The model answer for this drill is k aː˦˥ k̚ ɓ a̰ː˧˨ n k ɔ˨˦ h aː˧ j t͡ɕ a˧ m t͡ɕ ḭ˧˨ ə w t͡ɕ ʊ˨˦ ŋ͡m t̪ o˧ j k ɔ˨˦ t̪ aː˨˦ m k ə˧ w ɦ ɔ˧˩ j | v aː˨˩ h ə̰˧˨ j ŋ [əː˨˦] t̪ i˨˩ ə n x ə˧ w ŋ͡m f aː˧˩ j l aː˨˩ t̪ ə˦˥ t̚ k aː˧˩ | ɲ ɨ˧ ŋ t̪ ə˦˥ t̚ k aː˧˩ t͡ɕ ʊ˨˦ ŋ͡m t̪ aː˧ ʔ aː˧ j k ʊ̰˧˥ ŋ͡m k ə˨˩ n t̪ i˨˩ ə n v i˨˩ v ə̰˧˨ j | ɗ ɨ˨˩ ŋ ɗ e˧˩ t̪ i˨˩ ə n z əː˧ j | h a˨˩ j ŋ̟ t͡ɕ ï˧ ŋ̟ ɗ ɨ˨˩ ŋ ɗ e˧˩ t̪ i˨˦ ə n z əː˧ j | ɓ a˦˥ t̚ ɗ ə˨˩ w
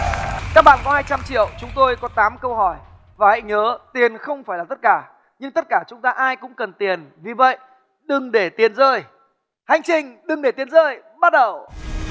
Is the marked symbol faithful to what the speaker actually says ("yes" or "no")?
yes